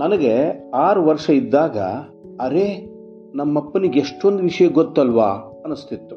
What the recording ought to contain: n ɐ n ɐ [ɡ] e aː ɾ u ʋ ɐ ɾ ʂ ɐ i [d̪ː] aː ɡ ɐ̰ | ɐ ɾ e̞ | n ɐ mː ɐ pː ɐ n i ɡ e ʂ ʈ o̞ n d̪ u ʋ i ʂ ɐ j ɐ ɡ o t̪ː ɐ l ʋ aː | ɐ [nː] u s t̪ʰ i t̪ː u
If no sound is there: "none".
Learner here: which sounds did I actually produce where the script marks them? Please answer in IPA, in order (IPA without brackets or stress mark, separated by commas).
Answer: ɡ, d̪ː, n